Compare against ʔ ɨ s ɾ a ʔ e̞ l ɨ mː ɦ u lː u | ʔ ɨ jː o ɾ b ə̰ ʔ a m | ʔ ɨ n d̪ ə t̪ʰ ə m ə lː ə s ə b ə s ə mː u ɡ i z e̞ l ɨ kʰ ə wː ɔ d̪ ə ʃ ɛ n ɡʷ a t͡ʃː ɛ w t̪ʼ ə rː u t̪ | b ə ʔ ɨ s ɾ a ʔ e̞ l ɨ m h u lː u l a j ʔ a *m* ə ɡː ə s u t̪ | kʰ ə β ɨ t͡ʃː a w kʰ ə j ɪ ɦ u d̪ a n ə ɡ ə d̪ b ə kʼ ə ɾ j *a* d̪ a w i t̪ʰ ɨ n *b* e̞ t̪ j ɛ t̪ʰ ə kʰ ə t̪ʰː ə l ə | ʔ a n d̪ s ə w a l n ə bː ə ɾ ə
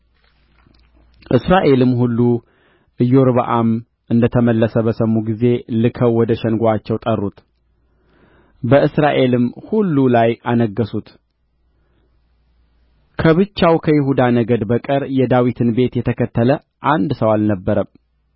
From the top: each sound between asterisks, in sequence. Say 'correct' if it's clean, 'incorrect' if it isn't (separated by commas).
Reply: incorrect, incorrect, correct